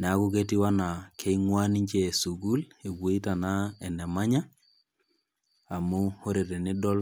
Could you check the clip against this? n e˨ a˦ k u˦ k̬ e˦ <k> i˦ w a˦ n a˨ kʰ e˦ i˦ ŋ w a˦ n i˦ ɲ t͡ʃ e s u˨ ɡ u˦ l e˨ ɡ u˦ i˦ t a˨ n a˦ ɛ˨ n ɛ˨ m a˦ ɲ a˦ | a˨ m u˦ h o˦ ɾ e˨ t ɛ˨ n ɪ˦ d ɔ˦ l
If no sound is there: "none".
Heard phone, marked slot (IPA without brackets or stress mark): t